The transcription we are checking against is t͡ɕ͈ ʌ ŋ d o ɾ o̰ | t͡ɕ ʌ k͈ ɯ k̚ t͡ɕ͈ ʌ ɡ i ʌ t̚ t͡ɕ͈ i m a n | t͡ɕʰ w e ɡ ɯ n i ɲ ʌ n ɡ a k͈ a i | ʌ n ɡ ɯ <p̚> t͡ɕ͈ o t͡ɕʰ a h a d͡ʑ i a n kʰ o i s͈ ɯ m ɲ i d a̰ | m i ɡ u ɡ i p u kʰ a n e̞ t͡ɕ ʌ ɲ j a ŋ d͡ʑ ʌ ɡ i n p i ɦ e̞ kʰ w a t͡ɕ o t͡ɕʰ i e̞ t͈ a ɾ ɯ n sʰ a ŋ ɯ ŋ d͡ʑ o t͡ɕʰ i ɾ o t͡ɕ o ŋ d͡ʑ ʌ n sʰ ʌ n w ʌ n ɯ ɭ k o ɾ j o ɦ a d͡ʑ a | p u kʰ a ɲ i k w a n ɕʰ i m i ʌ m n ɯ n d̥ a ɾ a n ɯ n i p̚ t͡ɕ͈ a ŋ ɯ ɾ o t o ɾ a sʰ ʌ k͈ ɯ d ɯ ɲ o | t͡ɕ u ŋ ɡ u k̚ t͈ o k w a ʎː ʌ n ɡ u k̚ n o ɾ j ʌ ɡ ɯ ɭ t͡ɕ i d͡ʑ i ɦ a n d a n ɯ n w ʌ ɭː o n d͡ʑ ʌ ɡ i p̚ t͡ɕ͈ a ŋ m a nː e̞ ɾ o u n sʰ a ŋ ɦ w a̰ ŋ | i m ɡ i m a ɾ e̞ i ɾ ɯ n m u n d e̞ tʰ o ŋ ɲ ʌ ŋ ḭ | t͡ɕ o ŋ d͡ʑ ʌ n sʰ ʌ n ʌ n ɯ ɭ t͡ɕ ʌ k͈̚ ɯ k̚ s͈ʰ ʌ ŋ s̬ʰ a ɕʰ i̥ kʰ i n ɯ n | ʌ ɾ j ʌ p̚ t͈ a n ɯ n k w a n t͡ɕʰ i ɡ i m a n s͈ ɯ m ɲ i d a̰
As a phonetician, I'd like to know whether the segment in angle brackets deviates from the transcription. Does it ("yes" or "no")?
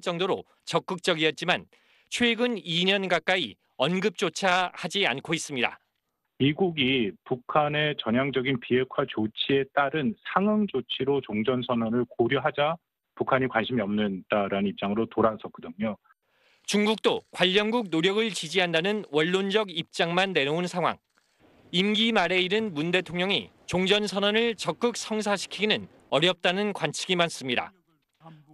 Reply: no